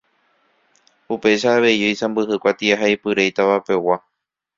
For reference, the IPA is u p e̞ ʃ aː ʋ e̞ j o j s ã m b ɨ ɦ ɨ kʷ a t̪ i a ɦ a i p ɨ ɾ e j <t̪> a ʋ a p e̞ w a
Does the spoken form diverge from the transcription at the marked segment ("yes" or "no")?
no